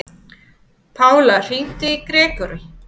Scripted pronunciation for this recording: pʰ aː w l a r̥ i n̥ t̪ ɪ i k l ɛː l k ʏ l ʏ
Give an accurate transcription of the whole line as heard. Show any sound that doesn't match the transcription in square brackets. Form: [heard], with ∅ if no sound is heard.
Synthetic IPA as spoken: pʰ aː w l a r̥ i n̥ t̪ ɪ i k [ɾ] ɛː [∅] k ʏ [ɾ] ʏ